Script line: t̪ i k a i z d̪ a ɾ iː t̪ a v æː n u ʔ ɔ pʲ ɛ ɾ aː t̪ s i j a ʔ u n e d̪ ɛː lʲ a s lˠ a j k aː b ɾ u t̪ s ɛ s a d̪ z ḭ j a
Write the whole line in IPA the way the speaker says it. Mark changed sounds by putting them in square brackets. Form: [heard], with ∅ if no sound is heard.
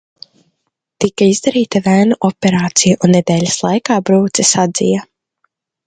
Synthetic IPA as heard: t̪ i k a i z d̪ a ɾ iː t̪ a v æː n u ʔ ɔ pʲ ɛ ɾ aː t̪ s i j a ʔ u [nː] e d̪ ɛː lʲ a s lˠ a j k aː b ɾ [uː] t̪ s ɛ s a d̪ z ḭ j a